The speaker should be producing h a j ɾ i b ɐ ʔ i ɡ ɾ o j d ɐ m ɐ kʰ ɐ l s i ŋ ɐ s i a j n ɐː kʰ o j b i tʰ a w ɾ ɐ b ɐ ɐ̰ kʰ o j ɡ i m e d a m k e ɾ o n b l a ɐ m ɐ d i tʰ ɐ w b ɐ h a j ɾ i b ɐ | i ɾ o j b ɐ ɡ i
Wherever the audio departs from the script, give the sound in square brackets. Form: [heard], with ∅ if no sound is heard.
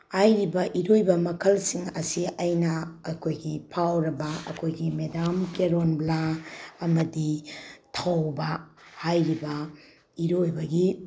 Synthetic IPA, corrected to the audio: h a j ɾ i b ɐ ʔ i [∅] ɾ o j [b] ɐ m ɐ kʰ ɐ l s i ŋ ɐ s i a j n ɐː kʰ o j [ɡ] i [pʰ] a w ɾ ɐ b ɐ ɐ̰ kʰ o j ɡ i m e d a m k e ɾ o n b l a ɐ m ɐ d i tʰ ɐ w b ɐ h a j ɾ i b ɐ | i ɾ o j b ɐ ɡ i